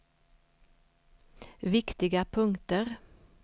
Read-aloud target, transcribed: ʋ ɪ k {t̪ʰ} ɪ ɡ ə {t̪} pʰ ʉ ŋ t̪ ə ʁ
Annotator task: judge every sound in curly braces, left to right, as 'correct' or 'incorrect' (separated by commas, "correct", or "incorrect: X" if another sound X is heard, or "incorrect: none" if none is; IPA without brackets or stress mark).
incorrect: t̪, incorrect: none